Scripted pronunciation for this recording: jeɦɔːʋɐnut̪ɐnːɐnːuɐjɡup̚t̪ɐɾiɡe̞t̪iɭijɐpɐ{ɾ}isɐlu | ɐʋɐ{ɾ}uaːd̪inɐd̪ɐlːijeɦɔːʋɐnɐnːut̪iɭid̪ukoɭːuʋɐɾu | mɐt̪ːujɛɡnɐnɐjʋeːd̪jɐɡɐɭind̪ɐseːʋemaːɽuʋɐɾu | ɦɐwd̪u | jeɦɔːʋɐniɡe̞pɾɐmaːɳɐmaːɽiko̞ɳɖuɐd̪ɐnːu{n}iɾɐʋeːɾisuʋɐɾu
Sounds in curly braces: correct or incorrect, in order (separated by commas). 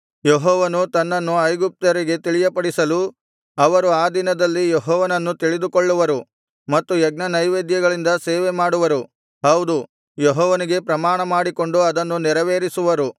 incorrect, correct, correct